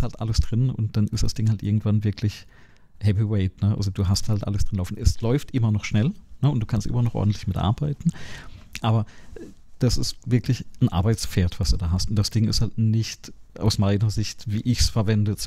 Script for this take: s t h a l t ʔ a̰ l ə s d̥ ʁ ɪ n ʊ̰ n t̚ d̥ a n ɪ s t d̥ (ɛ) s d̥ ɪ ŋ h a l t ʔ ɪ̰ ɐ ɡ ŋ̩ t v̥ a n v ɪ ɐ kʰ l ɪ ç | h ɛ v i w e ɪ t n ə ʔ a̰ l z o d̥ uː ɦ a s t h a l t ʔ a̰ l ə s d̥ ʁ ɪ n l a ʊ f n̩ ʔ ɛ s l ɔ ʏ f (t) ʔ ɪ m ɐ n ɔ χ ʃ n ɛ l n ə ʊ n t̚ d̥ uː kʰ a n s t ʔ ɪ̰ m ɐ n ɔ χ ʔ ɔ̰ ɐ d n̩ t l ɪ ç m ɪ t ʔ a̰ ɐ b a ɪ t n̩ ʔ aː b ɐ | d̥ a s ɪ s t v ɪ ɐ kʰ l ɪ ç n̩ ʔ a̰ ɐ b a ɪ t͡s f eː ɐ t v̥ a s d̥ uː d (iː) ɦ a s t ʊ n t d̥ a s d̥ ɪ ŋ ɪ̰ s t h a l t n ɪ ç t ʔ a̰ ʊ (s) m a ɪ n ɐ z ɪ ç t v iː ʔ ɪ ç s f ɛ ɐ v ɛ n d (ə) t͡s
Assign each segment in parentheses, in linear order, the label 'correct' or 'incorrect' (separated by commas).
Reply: incorrect, correct, incorrect, correct, correct